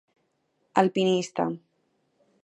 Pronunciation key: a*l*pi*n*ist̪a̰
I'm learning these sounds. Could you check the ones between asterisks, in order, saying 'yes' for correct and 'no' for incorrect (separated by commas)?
yes, yes